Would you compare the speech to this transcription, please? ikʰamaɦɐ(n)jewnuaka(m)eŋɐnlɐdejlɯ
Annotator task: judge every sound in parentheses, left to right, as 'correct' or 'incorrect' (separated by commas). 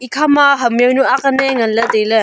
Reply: incorrect, incorrect